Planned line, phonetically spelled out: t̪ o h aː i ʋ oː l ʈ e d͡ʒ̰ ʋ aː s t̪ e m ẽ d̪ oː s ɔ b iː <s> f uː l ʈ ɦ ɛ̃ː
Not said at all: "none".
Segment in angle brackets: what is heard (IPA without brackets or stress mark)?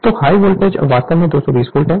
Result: s